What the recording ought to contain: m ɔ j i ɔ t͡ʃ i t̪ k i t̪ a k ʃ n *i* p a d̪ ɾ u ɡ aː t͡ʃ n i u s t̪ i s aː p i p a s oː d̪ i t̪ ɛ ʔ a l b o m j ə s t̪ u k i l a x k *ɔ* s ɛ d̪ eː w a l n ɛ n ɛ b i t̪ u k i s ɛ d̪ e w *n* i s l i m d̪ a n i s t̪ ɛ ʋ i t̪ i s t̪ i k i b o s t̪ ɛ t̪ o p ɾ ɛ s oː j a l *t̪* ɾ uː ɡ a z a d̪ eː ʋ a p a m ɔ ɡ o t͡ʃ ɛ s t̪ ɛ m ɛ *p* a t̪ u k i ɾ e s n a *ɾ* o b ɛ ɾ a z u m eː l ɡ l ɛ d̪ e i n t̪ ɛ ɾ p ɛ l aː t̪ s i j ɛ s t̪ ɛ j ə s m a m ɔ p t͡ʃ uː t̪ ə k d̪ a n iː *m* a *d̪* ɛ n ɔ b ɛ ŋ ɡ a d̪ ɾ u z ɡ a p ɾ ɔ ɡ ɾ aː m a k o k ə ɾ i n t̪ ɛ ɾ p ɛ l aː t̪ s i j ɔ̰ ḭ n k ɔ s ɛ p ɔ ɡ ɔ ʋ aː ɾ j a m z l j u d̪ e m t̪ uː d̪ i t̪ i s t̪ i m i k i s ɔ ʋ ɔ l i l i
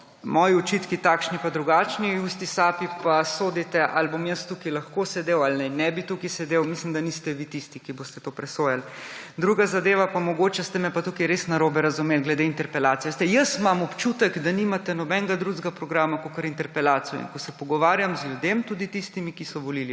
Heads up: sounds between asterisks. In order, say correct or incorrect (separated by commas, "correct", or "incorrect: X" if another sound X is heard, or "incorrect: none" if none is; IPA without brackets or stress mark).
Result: correct, incorrect: o, incorrect: m, incorrect: d̪, correct, correct, correct, incorrect: t̪